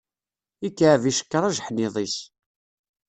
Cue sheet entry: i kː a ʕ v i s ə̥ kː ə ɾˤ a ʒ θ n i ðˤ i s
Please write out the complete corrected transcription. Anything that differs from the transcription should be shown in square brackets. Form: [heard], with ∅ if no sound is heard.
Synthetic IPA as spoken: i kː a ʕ v i [ʃ] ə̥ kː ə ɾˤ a ʒ [ħ] n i ðˤ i s